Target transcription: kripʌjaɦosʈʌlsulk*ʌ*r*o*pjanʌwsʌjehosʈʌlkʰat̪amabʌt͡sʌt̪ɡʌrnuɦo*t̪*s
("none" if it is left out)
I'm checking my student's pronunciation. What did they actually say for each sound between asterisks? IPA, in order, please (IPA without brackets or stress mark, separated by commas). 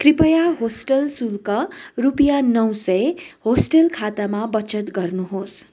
ʌ, u, none